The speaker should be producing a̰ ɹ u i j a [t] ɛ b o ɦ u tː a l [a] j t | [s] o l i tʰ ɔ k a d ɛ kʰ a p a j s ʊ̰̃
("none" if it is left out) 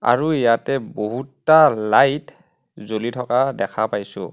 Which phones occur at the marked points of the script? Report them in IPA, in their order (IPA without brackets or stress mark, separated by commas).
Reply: t, a, z